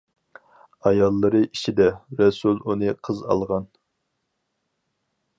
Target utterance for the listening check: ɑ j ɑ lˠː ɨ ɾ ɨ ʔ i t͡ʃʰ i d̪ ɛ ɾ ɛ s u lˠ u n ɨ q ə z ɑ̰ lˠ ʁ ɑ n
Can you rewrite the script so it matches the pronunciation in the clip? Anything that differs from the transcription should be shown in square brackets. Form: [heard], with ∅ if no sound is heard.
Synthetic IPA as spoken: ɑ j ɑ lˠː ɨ ɾ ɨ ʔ i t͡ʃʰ i d̪ ɛ ɾ ɛ s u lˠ u n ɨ [qʰ] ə z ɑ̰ lˠ ʁ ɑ n